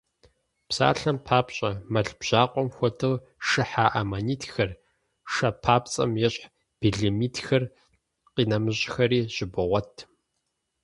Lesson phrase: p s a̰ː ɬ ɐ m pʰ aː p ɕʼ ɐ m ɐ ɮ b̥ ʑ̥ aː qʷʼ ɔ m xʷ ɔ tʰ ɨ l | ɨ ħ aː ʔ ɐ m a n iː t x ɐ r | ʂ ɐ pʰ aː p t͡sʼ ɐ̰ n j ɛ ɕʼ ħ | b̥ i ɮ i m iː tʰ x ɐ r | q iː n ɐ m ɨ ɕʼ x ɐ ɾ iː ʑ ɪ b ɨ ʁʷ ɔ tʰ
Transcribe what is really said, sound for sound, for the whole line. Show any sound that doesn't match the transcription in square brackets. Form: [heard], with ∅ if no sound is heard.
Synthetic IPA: p s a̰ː ɬ ɐ m pʰ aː p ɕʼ ɐ m ɐ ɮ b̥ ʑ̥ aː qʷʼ ɔ m xʷ ɔ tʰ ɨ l | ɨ ħ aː ʔ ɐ m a n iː t x ɐ r | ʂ ɐ pʰ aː p t͡sʼ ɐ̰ [m] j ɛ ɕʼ ħ | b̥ i ɮ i m iː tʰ x ɐ r | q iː n ɐ m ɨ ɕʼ x ɐ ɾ iː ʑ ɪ b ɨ ʁʷ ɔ tʰ